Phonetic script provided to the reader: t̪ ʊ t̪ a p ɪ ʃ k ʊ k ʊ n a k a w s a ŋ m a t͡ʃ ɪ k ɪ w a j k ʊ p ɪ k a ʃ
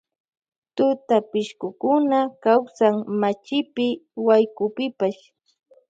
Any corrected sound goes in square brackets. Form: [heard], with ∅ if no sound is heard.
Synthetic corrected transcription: t̪ ʊ t̪ a p ɪ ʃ k ʊ k ʊ n a k a w s a ŋ m a t͡ʃ ɪ [p] ɪ w a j k ʊ p ɪ [p] a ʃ

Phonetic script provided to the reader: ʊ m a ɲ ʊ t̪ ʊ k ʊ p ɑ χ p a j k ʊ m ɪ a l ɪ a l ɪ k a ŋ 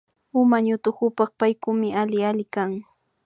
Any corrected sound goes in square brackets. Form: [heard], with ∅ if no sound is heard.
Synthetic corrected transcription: ʊ m a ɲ ʊ t̪ ʊ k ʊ p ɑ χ p a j k ʊ m ɪ a l ɪ a l ɪ k a ŋ

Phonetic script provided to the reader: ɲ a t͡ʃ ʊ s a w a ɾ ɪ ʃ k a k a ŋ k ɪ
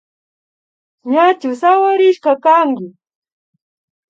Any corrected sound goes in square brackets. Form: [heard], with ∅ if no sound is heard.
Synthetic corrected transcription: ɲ a t͡ʃ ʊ s a w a ɾ ɪ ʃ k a k a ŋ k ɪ

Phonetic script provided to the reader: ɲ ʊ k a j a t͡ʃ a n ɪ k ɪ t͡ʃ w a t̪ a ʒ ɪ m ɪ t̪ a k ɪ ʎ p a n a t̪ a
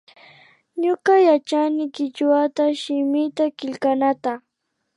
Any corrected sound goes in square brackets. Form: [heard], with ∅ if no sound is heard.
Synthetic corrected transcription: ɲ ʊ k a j a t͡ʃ a n ɪ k ɪ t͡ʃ w a t̪ a [ʃ] ɪ m ɪ t̪ a k ɪ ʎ [k] a n a t̪ a

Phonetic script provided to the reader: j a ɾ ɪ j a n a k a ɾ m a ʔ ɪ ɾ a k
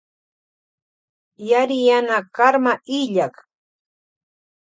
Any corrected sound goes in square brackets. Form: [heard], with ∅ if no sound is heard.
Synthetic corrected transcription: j a ɾ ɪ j a n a k a ɾ m a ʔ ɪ [ʎ] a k

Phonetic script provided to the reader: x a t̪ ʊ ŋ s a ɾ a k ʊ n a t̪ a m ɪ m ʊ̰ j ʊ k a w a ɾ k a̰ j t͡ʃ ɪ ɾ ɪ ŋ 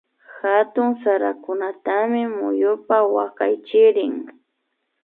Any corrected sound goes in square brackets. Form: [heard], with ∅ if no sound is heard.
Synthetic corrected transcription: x a t̪ ʊ ŋ s a ɾ a k ʊ n a t̪ a m ɪ m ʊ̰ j ʊ [p] a w a [∅] k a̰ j t͡ʃ ɪ ɾ ɪ ŋ

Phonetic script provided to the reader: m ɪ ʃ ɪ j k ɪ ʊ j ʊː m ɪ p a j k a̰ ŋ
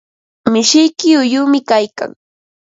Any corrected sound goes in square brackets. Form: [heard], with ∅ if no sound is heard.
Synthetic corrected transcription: m ɪ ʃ ɪ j k ɪ ʊ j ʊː m ɪ [k] a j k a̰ ŋ

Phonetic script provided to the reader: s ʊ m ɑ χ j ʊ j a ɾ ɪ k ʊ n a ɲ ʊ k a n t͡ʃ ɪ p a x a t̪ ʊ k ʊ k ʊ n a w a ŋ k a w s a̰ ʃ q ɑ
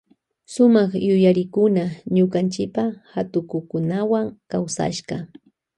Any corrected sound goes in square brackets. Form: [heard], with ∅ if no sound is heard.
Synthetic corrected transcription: s ʊ m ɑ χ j ʊ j a ɾ ɪ k ʊ n a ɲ ʊ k a n t͡ʃ ɪ p a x a t̪ ʊ k ʊ k ʊ n a w a ŋ k a w s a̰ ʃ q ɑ

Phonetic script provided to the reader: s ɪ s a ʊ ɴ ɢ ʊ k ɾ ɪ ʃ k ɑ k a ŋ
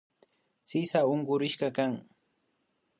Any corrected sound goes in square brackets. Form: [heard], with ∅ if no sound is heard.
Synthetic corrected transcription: s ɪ s a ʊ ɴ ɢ ʊ [∅] ɾ ɪ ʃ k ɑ k a ŋ

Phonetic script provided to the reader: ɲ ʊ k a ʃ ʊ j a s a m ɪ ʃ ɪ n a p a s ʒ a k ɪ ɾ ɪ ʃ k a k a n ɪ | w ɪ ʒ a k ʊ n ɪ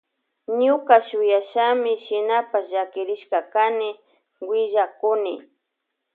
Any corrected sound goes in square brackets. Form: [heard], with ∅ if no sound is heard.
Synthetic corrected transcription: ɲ ʊ k a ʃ ʊ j a [ʃ] a m ɪ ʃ ɪ n a p a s ʒ a k ɪ ɾ ɪ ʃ k a k a n ɪ | w ɪ ʒ a k ʊ n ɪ

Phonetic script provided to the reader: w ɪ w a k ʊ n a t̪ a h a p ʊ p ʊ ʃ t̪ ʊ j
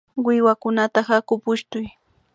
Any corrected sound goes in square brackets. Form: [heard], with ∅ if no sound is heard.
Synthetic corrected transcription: w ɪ w a k ʊ n a t̪ a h a [k] ʊ p ʊ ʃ t̪ ʊ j

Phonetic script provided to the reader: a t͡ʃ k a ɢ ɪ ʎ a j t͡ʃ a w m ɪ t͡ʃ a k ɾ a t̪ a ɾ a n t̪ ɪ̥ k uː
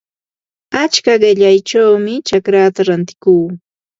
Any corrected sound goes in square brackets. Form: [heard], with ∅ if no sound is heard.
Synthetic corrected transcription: a t͡ʃ k a ɢ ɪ ʎ a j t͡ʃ a w m ɪ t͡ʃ a k ɾ a t̪ a ɾ a n t̪ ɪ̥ k uː

